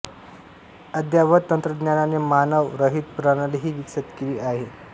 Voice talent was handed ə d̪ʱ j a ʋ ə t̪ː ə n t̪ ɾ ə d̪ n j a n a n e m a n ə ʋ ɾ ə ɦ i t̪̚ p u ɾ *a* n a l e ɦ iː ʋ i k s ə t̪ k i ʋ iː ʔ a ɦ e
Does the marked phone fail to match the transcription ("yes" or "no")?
no